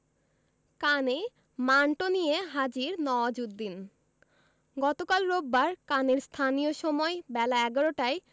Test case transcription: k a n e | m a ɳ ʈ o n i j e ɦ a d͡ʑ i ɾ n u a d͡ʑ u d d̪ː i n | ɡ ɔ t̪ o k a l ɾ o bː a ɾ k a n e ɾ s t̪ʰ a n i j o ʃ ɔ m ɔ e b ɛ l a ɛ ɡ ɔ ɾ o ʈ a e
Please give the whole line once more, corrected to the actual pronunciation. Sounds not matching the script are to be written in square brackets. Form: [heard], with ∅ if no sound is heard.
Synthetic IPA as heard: k a n e | m a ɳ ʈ o n i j e ɦ a d͡ʑ i ɾ n [ɔ] a d͡ʑ u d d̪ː i n | ɡ ɔ t̪ o k a l ɾ o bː a ɾ k a n e ɾ s t̪ʰ a n i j o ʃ ɔ m ɔ e b ɛ l a ɛ ɡ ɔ ɾ o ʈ a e